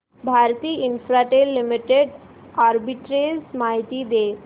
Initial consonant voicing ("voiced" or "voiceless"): voiced